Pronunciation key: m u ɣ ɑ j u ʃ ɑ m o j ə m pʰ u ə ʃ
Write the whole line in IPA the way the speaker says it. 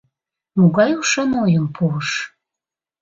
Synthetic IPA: m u ɣ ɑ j u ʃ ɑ n o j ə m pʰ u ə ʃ